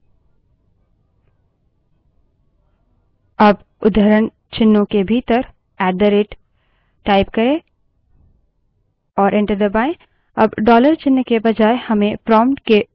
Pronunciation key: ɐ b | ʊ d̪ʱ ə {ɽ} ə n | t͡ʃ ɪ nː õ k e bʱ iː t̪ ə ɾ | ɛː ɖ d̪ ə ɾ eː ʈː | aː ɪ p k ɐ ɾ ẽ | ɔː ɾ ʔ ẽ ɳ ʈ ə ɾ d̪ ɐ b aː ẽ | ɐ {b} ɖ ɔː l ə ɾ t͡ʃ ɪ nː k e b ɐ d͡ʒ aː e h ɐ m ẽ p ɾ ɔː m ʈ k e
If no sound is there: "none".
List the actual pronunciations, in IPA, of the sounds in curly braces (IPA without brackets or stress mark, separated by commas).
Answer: ɾ, b